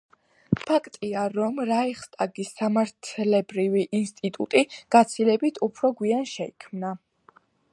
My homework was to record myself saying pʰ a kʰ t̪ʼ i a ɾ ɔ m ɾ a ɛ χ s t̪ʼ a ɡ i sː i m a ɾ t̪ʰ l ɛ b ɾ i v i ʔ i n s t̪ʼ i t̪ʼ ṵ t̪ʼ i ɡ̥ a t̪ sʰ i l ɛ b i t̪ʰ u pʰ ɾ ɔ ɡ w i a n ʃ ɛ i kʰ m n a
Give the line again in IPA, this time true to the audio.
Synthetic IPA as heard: pʰ a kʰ t̪ʼ i a ɾ ɔ m ɾ a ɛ χ s t̪ʼ a ɡ i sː a m a ɾ t̪ʰ l ɛ b ɾ i v i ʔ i n s t̪ʼ i t̪ʼ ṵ t̪ʼ i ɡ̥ a t̪ sʰ i l ɛ b i t̪ʰ u pʰ ɾ ɔ ɡ w i a n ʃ ɛ i kʰ m n a